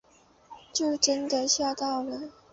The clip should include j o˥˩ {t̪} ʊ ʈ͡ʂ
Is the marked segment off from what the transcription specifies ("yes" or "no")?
yes